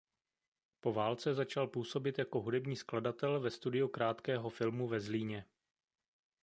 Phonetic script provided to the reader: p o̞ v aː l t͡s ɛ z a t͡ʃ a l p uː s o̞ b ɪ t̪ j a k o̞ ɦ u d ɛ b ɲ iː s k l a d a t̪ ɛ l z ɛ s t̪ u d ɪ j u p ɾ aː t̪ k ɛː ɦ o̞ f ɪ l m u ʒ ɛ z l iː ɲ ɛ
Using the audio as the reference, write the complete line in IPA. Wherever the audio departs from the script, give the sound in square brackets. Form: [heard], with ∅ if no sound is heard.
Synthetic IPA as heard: p o̞ v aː l t͡s ɛ z a t͡ʃ a l p uː s o̞ b ɪ t̪ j a k o̞ ɦ u d ɛ b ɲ iː s k l a d a t̪ ɛ l [v] ɛ s t̪ u d ɪ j u [k] ɾ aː t̪ k ɛː ɦ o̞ f ɪ l m u [v] ɛ z l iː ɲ ɛ